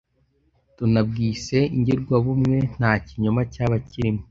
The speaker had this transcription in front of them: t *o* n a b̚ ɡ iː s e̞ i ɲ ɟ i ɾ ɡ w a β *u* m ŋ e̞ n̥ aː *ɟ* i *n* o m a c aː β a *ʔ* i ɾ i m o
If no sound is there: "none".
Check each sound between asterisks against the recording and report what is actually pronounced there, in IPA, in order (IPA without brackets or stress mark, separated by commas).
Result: u, u, c, ɲ, c